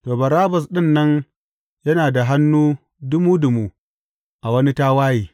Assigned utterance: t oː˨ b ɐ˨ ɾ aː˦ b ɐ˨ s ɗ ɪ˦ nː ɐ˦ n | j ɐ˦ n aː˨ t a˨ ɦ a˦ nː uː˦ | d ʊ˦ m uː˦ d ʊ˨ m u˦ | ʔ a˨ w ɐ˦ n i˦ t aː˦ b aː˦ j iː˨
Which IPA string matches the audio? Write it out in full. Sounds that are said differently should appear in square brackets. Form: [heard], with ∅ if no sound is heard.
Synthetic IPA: t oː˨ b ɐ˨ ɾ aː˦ b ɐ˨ s ɗ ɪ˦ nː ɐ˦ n | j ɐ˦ n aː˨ [d] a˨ ɦ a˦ nː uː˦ | d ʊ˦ m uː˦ d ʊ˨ m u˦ | ʔ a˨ w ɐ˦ n i˦ t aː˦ [w] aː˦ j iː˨